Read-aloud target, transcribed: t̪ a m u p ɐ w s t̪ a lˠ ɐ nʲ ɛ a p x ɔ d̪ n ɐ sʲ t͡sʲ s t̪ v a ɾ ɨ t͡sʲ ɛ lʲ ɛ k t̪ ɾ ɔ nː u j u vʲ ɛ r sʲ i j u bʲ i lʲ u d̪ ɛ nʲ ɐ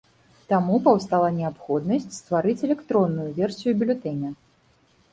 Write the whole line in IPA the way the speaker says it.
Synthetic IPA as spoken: t̪ a m u p ɐ w s t̪ a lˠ ɐ nʲ ɛ a p x ɔ d̪ n ɐ sʲ t͡sʲ s t̪ v a ɾ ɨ t͡sʲ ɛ lʲ ɛ k t̪ ɾ ɔ nː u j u vʲ ɛ r sʲ i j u bʲ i lʲ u t̪ ɛ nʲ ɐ